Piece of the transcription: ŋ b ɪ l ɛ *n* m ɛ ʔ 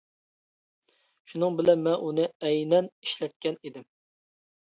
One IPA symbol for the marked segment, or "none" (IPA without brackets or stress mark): n